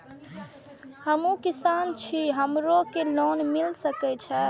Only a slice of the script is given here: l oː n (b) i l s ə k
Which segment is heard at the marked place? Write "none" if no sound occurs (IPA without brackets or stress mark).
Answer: m